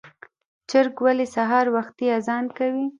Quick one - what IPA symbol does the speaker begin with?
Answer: t͡ʃ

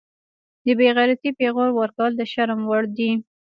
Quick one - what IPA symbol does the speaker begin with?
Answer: d̪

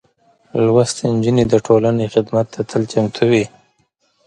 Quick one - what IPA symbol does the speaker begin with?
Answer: l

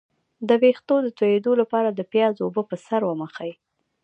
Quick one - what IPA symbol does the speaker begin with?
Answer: d̪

